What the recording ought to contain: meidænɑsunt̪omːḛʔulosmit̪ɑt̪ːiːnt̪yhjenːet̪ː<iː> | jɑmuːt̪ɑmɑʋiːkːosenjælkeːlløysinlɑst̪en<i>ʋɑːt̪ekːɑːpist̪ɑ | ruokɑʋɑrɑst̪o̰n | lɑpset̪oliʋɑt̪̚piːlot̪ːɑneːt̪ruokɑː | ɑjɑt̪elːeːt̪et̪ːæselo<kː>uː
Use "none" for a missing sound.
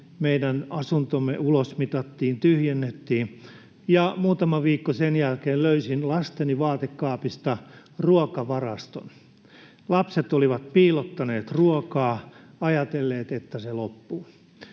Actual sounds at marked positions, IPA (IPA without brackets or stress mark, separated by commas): iː, i, pː